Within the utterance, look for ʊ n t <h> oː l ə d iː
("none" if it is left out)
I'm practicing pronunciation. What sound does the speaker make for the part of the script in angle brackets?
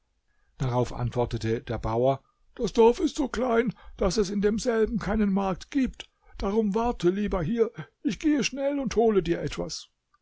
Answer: h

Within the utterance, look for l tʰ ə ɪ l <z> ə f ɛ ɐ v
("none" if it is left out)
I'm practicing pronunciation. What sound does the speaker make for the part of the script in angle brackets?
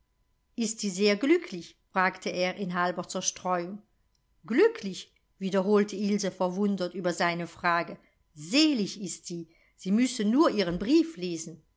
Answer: z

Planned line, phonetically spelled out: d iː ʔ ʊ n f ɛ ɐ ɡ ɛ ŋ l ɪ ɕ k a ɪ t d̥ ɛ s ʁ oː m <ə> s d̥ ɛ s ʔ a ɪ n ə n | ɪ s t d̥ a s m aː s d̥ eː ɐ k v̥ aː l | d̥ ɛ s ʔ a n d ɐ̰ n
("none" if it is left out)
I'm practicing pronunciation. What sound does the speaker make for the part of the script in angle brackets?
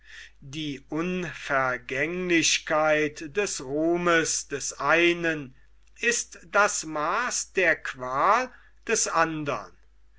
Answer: ə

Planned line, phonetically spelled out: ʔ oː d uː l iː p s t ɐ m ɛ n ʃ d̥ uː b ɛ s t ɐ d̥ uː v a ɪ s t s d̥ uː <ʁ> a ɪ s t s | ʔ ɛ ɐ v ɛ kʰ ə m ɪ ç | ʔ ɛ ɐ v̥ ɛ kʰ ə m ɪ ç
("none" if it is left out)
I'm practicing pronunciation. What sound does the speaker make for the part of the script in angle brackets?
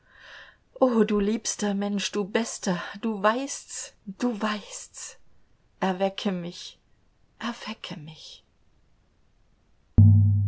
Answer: v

